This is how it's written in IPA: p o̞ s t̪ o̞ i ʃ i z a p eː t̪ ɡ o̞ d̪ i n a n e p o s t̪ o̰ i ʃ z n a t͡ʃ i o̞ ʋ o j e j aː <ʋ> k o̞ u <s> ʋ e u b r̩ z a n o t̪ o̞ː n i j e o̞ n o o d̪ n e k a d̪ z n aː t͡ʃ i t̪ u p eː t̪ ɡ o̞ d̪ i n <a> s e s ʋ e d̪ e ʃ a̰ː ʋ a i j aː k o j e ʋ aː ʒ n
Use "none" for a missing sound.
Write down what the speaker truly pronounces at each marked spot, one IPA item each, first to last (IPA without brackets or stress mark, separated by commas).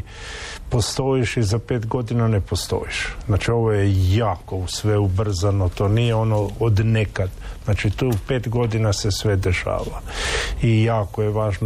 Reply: none, s, a